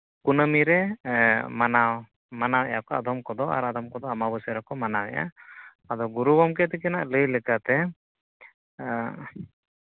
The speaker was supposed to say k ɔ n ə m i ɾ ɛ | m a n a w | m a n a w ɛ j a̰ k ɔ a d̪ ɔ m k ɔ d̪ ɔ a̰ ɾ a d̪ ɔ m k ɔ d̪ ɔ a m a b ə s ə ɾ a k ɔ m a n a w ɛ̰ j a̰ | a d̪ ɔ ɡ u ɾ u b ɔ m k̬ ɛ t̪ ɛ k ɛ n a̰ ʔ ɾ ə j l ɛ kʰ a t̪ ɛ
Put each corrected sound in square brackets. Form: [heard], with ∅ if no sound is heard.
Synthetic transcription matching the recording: k [u] n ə m i ɾ ɛ | m a n a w | m a n a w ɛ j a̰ k ɔ a d̪ ɔ m k ɔ d̪ ɔ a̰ ɾ a d̪ ɔ m k ɔ d̪ ɔ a m a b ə s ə ɾ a k ɔ m a n a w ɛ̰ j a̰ | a d̪ ɔ ɡ u ɾ u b ɔ m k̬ ɛ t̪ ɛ k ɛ n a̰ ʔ [l] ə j l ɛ [k] a t̪ ɛ